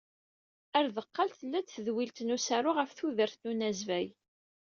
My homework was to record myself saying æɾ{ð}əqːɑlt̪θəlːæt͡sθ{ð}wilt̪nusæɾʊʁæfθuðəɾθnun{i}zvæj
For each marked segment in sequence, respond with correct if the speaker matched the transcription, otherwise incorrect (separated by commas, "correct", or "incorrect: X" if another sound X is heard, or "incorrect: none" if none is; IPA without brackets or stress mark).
correct, correct, incorrect: æ